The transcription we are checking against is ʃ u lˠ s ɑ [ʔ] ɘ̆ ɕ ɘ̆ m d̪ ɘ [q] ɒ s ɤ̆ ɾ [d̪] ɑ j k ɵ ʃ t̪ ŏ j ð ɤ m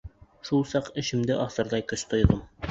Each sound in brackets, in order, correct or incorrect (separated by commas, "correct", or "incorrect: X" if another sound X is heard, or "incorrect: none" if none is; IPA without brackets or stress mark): incorrect: q, incorrect: ʔ, correct